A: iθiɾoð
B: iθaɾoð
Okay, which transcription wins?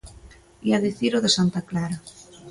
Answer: A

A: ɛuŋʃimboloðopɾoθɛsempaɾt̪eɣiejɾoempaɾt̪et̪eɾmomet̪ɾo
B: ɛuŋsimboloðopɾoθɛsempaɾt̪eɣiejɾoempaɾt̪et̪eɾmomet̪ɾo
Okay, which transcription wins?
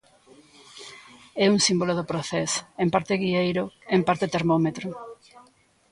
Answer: B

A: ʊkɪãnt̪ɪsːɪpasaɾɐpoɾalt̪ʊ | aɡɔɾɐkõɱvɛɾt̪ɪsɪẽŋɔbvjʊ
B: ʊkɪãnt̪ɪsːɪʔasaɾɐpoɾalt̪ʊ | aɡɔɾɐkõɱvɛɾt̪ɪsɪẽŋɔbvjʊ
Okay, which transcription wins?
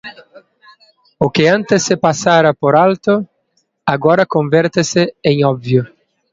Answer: A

